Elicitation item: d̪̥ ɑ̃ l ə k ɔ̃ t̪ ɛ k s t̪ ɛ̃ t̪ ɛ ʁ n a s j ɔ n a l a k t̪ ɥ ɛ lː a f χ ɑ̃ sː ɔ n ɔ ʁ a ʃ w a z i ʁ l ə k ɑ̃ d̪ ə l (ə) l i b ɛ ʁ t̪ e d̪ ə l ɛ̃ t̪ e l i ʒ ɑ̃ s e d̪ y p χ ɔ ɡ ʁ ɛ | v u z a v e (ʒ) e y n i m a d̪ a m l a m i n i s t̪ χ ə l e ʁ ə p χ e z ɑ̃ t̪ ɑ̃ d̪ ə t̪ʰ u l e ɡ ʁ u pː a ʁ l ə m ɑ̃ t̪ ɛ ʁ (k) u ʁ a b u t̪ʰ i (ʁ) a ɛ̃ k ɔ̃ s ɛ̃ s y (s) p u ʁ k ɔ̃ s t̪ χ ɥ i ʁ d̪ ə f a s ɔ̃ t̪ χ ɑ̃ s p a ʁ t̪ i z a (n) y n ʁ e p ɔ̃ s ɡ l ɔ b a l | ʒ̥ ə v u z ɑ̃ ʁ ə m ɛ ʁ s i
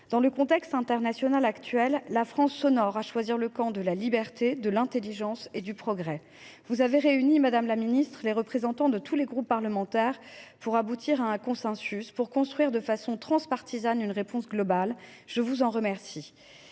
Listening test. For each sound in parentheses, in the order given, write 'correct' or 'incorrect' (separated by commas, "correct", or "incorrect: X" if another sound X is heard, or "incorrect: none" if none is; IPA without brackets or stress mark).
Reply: incorrect: a, incorrect: ʁ, incorrect: p, correct, correct, correct